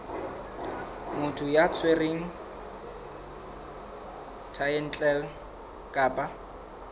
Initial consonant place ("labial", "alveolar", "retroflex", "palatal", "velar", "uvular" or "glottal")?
labial